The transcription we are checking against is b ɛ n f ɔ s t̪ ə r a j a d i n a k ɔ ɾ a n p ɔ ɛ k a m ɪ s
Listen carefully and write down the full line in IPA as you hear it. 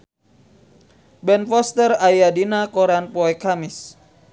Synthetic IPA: b ɛ n f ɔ s t̪ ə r a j a d i n a k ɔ ɾ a n p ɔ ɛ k a m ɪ s